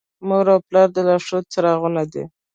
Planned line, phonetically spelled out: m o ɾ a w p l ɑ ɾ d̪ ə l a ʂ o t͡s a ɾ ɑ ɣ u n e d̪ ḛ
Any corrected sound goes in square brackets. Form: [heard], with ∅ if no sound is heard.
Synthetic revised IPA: m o ɾ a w p l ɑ ɾ d̪ ə l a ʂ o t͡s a ɾ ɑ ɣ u n [a] d̪ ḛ